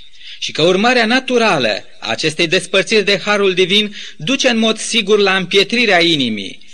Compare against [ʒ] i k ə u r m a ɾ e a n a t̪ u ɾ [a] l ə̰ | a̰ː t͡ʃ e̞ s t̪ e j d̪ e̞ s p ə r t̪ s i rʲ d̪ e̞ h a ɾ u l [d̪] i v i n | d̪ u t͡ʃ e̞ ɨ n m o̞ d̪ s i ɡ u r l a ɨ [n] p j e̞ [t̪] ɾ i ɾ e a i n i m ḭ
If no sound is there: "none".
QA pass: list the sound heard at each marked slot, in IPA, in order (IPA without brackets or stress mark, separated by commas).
ʃ, a, d̪, m, t̪